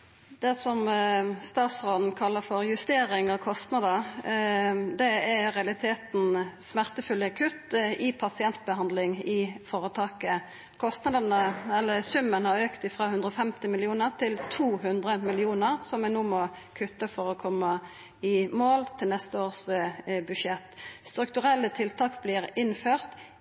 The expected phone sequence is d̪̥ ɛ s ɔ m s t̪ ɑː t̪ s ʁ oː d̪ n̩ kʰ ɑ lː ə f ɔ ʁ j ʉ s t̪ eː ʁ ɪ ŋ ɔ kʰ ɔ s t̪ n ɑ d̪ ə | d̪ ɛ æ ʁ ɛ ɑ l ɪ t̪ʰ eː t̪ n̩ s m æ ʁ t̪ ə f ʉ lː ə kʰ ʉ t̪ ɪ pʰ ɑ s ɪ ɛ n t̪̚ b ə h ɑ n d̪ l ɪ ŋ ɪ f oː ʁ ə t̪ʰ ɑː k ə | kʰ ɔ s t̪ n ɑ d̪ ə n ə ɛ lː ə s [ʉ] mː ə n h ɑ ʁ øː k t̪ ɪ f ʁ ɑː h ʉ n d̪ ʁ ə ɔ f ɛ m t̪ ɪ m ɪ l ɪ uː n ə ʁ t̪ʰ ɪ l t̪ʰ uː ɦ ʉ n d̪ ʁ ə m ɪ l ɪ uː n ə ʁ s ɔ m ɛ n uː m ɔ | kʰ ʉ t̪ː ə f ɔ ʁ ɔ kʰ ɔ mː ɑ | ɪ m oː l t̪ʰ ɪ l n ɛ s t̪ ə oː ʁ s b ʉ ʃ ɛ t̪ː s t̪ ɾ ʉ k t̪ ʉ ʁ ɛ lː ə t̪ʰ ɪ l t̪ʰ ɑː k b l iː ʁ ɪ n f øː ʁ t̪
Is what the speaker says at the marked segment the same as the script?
yes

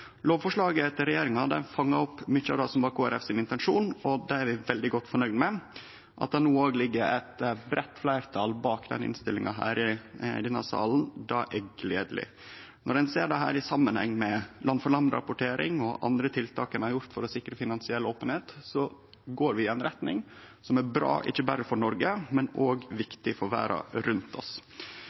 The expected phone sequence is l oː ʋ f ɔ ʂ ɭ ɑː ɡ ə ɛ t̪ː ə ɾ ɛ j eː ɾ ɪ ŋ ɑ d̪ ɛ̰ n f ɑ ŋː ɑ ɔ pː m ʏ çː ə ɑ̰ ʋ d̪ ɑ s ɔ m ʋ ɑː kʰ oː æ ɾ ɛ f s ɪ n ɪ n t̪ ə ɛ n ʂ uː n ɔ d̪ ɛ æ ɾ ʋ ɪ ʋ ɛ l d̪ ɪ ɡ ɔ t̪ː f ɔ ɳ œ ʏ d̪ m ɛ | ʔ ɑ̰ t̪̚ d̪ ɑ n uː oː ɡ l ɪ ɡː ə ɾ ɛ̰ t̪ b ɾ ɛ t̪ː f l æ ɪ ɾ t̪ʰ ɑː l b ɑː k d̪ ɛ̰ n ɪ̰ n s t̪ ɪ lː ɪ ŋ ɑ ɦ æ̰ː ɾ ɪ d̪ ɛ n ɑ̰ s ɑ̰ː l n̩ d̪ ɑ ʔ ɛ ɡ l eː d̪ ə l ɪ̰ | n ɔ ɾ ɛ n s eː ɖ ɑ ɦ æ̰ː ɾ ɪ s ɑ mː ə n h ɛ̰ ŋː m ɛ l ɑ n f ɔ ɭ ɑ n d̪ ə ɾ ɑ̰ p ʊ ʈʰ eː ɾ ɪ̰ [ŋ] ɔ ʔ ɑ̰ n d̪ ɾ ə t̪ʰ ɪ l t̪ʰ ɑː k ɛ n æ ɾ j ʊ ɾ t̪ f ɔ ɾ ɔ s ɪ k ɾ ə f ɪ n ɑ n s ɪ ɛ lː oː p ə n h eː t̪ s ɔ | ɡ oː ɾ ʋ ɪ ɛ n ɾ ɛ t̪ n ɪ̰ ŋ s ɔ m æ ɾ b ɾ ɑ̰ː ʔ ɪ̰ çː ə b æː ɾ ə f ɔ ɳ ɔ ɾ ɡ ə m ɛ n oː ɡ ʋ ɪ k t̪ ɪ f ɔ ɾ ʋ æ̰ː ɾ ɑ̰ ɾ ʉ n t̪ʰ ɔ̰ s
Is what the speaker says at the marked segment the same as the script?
yes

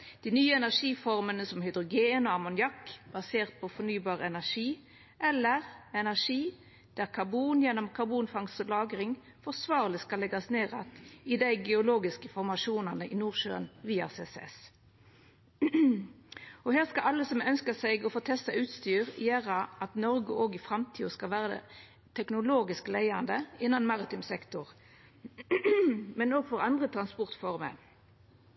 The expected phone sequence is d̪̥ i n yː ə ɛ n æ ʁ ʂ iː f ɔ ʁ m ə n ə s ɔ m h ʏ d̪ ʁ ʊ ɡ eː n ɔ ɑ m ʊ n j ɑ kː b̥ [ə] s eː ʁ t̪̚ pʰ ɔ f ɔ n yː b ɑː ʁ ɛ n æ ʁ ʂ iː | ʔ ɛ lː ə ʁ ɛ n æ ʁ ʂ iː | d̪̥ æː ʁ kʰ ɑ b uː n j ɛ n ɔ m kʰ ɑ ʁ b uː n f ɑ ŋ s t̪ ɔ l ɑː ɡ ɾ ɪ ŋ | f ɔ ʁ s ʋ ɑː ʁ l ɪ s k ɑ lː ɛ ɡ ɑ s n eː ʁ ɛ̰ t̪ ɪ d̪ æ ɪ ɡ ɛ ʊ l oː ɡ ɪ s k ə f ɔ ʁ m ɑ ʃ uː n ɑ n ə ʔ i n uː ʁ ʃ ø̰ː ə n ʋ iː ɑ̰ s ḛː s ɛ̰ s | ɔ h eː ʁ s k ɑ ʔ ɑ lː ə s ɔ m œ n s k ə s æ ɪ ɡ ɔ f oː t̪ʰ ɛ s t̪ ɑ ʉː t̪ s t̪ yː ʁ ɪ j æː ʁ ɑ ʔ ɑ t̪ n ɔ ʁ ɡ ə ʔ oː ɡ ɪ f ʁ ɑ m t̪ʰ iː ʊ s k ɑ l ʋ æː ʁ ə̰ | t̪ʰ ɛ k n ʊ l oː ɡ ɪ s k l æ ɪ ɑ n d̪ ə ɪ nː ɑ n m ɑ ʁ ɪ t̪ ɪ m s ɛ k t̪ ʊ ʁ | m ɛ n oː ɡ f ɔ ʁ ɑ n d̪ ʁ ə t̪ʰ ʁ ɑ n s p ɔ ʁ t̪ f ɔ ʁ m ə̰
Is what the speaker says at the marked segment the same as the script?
no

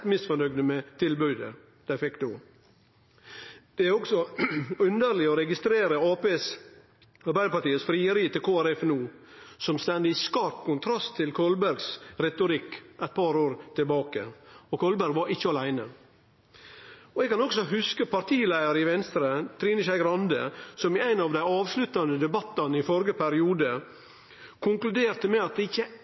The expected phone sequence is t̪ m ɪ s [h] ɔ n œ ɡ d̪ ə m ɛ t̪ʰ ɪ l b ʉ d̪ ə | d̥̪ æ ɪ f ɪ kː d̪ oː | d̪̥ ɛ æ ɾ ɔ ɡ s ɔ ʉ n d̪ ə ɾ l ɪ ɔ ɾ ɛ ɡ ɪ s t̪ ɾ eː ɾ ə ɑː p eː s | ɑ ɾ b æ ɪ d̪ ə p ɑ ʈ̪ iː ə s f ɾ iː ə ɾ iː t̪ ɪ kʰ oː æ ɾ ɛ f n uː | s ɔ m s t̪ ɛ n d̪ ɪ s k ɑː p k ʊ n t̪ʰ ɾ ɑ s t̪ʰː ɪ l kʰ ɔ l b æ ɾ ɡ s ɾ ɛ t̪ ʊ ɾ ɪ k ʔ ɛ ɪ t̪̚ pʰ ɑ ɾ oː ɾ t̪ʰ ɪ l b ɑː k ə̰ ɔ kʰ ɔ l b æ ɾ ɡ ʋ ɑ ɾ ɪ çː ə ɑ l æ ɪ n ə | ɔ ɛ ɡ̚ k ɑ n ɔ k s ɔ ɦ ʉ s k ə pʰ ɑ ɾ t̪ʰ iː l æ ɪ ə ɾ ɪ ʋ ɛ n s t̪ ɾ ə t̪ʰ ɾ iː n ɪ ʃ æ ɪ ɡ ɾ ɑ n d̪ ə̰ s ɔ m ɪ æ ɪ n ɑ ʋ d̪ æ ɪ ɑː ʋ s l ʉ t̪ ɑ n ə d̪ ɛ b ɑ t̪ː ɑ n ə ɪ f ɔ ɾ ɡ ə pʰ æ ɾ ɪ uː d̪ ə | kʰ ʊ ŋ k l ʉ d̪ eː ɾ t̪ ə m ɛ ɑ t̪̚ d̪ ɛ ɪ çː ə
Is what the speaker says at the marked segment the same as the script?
no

